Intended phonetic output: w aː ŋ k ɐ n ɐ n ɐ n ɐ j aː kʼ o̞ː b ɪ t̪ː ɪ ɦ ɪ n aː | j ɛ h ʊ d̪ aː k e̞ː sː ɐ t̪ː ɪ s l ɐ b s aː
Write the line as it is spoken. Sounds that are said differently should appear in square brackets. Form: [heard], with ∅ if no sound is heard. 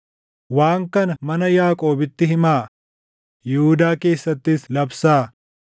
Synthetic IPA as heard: w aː ŋ k ɐ n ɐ [m] ɐ n ɐ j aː kʼ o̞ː b ɪ t̪ː ɪ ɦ ɪ [m] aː | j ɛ h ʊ d̪ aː k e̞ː sː ɐ t̪ː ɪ s l ɐ b s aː